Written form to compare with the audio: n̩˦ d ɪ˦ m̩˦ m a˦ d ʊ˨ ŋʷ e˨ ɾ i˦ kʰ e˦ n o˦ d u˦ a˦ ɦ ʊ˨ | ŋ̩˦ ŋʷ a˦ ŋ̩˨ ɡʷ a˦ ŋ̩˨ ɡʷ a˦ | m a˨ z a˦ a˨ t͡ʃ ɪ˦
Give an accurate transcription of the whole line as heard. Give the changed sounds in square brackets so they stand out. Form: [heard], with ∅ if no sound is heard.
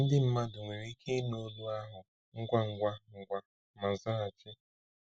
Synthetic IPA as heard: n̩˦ d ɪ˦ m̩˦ m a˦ d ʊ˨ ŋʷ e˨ ɾ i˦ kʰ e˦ n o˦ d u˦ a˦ ɦ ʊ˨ | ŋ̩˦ [ɡʷ] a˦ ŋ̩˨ ɡʷ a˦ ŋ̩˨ ɡʷ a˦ | m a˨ z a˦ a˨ t͡ʃ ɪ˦